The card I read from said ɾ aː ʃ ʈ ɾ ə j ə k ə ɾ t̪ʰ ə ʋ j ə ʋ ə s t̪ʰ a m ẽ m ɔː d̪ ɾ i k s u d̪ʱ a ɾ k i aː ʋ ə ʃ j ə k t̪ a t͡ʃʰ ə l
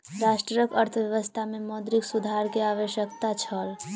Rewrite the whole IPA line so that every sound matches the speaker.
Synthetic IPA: ɾ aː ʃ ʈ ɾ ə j ə k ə ɾ t̪ʰ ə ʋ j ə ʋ ə s t̪ʰ a m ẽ m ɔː d̪ ɾ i k s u d̪ʱ a ɾ k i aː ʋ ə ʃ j ə k t̪ a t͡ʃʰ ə l